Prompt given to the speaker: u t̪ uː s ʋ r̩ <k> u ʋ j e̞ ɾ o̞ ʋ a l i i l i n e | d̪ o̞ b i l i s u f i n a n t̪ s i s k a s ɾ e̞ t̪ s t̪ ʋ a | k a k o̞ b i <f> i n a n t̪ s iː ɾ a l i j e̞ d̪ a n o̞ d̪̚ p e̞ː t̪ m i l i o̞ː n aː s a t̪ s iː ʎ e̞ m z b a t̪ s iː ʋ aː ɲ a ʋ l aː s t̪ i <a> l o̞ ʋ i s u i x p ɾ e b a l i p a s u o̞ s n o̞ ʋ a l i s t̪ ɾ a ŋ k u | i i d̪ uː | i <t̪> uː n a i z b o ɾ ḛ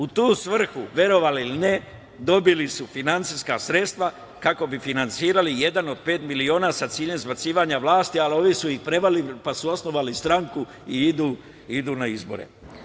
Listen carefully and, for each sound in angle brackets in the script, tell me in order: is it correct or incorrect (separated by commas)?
incorrect, correct, correct, incorrect